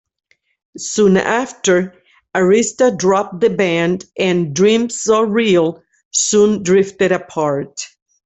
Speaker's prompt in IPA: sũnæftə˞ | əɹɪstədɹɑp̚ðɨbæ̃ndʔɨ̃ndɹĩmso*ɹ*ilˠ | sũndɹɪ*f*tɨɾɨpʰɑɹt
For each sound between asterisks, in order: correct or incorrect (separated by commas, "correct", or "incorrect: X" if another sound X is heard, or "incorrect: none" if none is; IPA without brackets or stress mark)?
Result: correct, correct